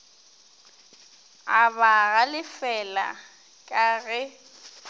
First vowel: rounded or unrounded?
unrounded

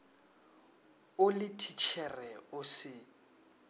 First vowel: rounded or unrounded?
rounded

